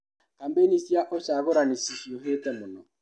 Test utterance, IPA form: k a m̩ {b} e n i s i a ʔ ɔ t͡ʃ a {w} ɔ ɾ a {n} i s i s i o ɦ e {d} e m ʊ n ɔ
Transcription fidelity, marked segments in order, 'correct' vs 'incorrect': correct, incorrect, correct, incorrect

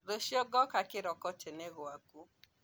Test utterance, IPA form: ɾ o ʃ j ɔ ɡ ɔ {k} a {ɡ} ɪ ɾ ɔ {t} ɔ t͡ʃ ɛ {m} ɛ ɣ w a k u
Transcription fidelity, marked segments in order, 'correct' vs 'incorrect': correct, incorrect, incorrect, incorrect

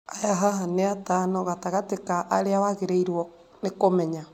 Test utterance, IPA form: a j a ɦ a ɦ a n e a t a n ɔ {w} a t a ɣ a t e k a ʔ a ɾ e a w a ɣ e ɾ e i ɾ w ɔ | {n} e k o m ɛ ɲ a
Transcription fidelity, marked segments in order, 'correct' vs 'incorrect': incorrect, correct

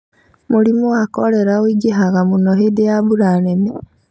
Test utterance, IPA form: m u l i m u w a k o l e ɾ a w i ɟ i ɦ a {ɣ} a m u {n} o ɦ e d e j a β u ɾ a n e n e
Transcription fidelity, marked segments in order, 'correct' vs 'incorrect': correct, correct

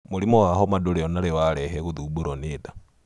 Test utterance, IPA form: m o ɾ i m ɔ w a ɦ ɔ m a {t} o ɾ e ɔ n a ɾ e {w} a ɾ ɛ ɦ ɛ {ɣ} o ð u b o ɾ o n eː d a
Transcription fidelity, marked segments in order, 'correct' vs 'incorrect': incorrect, correct, correct

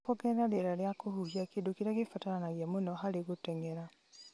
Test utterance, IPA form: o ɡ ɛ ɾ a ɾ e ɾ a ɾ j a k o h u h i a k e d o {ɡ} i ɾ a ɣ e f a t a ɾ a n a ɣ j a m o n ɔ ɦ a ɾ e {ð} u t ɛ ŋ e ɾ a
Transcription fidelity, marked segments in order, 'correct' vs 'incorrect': incorrect, incorrect

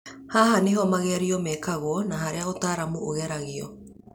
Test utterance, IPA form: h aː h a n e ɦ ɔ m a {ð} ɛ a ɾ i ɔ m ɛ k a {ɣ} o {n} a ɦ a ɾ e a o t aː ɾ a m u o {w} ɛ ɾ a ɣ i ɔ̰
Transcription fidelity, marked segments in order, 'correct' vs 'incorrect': incorrect, correct, correct, incorrect

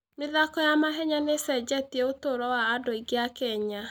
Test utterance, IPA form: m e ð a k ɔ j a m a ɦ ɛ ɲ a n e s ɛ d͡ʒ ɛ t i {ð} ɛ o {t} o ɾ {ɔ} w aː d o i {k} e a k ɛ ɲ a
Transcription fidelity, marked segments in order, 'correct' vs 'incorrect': incorrect, correct, correct, incorrect

